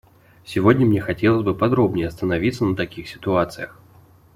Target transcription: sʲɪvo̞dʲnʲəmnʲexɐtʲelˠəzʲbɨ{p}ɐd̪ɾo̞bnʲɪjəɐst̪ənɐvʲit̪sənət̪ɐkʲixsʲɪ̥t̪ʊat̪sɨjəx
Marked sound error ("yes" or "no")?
no